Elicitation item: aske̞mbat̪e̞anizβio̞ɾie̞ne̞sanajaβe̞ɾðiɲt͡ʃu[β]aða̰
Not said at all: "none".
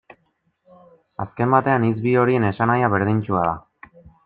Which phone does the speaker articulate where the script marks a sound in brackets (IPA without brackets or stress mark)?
none